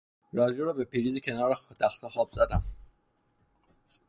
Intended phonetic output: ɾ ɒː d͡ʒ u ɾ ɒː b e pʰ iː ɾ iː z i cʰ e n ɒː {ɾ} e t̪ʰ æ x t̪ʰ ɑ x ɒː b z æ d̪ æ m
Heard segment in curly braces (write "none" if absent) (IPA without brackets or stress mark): ɾ